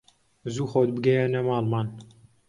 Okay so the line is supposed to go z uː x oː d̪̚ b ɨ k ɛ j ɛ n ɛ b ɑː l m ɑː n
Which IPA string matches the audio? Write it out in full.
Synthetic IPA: z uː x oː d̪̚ b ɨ ɡ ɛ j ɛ n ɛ m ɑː l m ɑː n